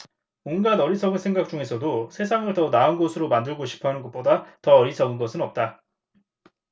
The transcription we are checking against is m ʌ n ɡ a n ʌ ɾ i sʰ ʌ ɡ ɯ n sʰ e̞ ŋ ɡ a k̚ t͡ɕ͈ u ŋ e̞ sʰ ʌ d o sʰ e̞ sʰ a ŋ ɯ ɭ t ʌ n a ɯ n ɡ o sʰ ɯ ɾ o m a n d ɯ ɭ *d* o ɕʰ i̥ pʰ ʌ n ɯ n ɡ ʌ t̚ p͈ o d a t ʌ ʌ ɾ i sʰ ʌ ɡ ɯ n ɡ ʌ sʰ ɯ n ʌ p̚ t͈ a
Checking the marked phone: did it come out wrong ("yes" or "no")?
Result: yes